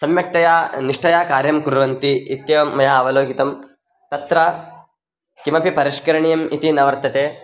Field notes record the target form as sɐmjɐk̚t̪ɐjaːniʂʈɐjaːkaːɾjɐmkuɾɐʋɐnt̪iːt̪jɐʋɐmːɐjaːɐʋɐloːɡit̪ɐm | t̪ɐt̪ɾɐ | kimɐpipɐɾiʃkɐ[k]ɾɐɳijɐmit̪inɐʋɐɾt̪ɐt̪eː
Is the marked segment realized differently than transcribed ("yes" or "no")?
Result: yes